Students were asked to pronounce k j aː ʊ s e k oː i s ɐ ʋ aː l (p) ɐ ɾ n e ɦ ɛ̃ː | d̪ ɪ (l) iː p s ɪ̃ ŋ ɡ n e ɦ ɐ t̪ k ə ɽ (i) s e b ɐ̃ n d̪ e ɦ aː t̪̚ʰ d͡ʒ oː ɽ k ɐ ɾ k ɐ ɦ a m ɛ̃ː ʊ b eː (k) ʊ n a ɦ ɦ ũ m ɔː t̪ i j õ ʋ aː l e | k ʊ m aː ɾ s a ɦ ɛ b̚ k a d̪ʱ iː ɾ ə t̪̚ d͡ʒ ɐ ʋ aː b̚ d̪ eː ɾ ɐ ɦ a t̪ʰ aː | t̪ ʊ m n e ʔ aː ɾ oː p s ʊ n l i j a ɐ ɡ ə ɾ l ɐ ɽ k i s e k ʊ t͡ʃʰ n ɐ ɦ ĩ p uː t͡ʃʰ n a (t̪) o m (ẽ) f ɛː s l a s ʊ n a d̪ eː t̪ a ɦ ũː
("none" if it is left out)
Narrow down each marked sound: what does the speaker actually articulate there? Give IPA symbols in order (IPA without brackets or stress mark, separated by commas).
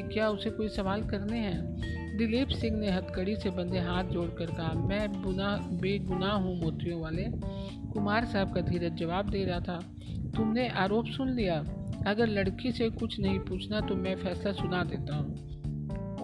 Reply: k, l, i, ɡ, t̪, ɛ̃